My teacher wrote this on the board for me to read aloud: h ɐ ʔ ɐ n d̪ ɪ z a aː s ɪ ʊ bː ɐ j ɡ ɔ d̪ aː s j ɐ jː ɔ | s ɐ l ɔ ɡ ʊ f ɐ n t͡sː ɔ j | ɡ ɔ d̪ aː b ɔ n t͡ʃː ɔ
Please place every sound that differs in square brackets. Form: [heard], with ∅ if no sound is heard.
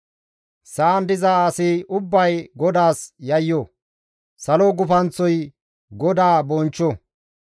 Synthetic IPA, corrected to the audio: [s] ɐ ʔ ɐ n d̪ ɪ z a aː s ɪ ʊ bː ɐ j ɡ ɔ d̪ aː s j ɐ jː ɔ | s ɐ l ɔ ɡ ʊ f ɐ n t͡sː ɔ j | ɡ ɔ d̪ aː b ɔ n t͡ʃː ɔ